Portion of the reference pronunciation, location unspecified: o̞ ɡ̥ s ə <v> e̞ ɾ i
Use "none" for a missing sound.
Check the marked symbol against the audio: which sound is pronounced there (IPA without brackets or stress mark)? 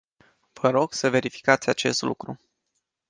v